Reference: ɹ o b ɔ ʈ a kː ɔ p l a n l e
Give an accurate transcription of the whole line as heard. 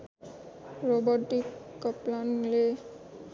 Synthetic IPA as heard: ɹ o b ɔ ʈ i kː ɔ p l a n l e